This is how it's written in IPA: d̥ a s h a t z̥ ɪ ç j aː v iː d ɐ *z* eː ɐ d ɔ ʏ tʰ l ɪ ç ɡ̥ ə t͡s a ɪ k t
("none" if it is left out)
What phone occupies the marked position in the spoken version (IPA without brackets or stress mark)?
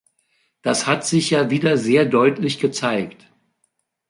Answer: z